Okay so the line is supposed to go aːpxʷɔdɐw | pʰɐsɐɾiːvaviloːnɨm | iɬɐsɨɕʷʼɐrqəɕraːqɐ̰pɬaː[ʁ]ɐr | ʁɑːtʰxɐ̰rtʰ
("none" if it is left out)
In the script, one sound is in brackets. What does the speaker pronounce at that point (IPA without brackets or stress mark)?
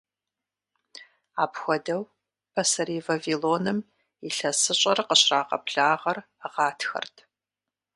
ʁ